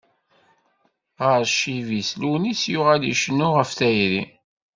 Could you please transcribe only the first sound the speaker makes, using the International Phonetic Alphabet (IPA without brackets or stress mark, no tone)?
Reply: ʁ